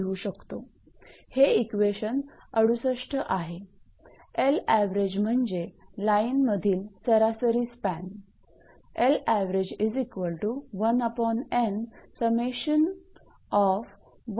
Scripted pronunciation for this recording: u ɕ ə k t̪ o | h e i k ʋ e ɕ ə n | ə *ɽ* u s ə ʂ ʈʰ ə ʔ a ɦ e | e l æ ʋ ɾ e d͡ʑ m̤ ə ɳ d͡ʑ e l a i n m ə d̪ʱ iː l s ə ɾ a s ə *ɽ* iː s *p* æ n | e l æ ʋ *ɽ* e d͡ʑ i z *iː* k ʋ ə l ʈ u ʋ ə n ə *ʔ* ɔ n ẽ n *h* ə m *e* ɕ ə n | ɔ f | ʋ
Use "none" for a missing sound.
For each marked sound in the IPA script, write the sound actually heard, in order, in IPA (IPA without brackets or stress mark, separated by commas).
ɽ, ɾ, p, ɾ, i, p, s, e